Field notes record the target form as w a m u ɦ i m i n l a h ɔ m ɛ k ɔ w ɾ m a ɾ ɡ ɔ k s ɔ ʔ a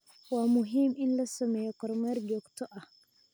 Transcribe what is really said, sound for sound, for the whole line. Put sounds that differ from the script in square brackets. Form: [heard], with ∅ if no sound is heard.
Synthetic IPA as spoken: w a m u ɦ i m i n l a [s] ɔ m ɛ k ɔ [∅] ɾ m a ɾ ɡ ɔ k [t] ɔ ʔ a